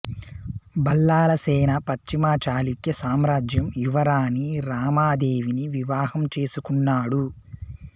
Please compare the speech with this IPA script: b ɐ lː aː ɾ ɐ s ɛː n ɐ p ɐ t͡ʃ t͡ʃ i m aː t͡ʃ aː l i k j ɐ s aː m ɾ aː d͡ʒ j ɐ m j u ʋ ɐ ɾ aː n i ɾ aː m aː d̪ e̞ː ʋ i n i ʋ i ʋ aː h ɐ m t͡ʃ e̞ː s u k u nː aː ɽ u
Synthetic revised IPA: b ɐ lː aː l ɐ s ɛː n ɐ p ɐ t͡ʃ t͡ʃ i m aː t͡ʃ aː l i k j ɐ s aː m ɾ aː d͡ʒ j ɐ m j u ʋ ɐ ɾ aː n i ɾ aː m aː d̪ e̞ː ʋ i n i ʋ i ʋ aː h ɐ m t͡ʃ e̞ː s u k u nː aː ɽ u